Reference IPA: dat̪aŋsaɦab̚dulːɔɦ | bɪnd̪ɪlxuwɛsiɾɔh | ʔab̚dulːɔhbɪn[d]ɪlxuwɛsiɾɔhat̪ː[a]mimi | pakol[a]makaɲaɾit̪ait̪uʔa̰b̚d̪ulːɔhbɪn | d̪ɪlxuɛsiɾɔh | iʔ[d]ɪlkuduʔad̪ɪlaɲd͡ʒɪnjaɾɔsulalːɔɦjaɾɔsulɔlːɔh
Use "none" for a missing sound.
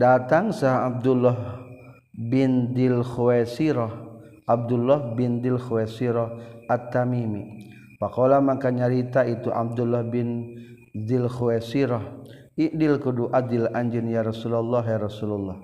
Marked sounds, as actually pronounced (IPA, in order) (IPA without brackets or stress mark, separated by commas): d, a, a, d